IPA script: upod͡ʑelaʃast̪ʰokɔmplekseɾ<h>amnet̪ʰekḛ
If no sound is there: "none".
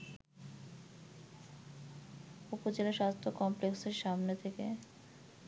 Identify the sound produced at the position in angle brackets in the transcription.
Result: ʃ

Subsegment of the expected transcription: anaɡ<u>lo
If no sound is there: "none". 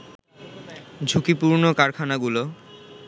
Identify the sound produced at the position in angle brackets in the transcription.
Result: u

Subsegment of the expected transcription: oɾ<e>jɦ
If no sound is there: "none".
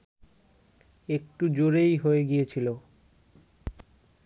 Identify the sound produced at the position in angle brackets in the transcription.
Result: e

